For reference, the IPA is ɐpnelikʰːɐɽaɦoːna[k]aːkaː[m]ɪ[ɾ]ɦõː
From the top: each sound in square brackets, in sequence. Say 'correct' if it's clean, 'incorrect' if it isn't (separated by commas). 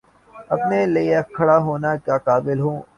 correct, incorrect, incorrect